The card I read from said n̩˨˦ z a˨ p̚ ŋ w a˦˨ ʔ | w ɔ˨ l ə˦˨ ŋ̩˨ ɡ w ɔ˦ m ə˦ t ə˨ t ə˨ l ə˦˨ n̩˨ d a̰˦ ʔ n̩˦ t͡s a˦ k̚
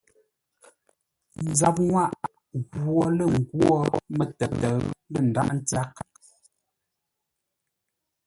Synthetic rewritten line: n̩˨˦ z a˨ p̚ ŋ w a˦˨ ʔ | ɣ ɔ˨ l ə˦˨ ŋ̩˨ ɡ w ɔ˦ m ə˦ t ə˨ t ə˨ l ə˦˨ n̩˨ d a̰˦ ʔ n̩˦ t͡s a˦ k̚